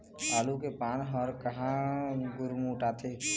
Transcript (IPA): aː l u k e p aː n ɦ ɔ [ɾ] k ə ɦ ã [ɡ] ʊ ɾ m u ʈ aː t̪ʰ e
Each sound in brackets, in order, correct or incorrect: correct, correct

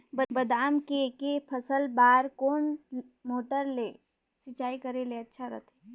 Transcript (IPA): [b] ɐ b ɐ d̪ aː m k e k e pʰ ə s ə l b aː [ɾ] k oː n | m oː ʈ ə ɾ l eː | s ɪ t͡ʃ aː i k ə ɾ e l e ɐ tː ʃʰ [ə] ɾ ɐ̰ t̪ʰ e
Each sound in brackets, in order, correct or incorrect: correct, correct, incorrect

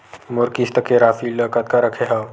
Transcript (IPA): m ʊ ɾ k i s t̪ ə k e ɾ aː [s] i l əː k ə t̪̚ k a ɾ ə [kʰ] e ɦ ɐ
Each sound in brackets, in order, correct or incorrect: incorrect, correct

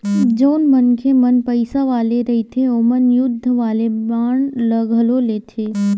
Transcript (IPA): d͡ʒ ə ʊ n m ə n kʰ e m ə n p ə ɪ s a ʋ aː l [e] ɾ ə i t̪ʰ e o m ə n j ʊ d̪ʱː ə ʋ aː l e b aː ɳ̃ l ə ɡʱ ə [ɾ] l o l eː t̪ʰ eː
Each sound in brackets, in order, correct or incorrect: correct, incorrect

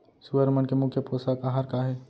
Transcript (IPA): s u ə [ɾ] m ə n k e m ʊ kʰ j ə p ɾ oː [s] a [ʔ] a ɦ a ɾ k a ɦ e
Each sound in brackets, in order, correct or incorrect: correct, correct, incorrect

